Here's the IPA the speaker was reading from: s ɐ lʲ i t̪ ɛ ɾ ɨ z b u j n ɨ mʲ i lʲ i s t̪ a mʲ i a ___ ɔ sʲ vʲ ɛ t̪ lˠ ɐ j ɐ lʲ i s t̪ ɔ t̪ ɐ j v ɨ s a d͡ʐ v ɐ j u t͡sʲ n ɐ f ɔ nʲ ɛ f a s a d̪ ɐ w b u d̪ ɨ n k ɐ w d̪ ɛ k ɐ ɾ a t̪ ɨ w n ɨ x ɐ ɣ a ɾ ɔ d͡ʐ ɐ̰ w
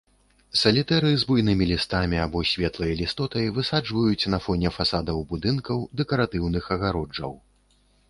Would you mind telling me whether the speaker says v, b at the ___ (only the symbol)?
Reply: b